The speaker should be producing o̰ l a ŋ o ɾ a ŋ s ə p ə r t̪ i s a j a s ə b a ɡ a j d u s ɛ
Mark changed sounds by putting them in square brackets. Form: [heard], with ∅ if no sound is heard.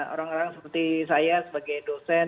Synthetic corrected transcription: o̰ [ɾ] a ŋ o ɾ a ŋ s ə p ə r t̪ i s a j a s ə b a ɡ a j d [o] s ɛ